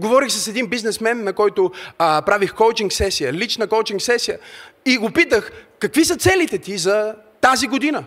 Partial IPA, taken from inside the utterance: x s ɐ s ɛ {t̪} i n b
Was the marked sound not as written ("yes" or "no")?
yes